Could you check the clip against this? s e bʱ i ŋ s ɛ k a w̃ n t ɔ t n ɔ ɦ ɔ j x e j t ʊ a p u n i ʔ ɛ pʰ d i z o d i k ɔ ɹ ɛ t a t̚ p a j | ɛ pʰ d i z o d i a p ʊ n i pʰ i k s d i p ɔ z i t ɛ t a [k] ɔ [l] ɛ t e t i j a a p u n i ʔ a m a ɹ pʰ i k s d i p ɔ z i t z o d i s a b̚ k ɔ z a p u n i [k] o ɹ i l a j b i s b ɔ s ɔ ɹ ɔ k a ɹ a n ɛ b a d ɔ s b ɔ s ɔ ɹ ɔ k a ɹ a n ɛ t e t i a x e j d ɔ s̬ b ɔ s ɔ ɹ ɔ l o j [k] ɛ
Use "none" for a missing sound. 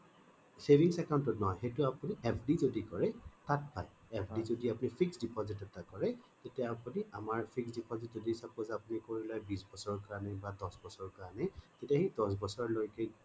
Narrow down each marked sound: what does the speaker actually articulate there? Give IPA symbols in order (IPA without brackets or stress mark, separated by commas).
k, ɹ, k, k